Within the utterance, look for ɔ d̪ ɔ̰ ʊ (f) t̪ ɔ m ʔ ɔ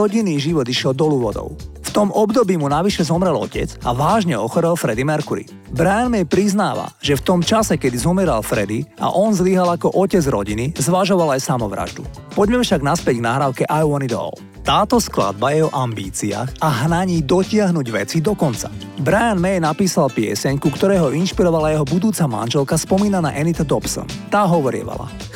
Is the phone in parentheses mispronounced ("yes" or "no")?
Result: no